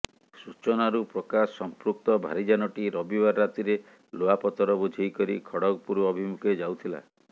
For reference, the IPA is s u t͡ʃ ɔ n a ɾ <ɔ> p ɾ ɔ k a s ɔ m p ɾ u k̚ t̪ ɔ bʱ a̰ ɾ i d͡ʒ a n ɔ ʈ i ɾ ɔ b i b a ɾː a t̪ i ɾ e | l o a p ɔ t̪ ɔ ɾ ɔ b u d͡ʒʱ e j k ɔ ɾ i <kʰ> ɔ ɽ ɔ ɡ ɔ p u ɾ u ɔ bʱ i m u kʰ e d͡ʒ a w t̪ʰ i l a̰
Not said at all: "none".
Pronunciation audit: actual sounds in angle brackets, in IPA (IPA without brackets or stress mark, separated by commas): u, kʰ